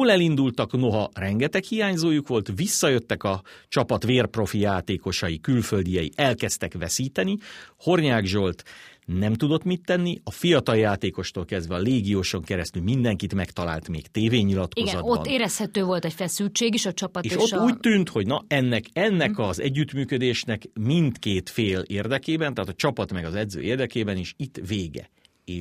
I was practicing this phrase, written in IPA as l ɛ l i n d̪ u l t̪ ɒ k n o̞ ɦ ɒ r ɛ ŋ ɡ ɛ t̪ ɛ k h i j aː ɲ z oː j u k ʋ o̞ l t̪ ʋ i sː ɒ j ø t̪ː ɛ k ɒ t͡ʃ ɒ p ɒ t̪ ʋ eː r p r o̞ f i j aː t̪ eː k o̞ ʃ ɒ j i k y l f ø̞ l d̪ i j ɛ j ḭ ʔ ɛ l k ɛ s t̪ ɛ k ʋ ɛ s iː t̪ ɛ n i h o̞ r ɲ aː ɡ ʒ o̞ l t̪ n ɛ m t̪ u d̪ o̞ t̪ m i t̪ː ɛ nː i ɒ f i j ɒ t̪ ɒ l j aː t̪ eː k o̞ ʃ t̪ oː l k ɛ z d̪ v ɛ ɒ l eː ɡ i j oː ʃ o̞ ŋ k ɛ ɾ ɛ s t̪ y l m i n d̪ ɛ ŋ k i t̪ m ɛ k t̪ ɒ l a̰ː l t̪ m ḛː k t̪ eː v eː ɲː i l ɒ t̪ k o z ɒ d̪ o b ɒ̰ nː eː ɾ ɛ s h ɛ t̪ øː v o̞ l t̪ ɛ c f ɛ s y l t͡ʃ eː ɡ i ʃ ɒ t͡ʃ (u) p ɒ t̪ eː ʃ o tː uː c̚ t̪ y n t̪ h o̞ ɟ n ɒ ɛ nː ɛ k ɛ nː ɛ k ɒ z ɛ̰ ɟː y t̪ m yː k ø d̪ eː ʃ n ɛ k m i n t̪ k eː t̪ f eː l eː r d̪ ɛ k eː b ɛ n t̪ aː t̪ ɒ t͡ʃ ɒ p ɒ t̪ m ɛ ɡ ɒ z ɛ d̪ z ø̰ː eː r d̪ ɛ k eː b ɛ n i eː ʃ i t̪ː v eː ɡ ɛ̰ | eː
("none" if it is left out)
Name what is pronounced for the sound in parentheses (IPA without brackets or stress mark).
ɒ